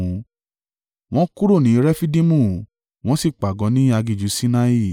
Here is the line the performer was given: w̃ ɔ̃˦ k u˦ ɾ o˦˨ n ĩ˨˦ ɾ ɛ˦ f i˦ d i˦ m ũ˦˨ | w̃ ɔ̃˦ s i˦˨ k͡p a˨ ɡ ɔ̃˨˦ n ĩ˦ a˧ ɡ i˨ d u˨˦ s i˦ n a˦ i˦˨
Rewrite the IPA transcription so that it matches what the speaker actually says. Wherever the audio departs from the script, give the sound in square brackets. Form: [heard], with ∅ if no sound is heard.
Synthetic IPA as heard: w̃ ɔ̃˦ k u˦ ɾ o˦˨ n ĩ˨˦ ɾ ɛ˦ f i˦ d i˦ m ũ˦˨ | w̃ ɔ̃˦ s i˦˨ k͡p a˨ ɡ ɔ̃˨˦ n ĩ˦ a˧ ɡ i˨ [d͡ʒ] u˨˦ s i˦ n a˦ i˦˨